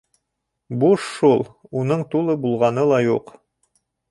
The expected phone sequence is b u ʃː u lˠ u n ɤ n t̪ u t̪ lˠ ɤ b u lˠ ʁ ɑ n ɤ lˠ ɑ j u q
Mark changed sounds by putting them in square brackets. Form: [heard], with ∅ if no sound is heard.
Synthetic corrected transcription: b u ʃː u lˠ u n ɤ [ɴ] t̪ u [∅] lˠ ɤ b u lˠ ʁ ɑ n ɤ lˠ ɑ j u q